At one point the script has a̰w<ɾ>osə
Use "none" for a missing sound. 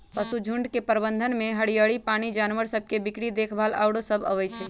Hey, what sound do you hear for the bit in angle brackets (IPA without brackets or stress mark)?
ɽ